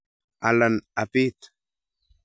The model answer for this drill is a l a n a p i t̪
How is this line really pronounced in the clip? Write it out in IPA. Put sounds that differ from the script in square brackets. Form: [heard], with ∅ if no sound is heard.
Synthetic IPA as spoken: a l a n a p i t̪